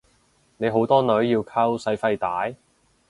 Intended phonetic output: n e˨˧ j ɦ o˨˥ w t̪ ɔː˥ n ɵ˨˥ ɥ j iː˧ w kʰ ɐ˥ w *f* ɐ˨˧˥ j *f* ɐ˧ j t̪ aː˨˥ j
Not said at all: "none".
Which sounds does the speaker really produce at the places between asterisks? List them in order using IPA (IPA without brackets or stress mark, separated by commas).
s, f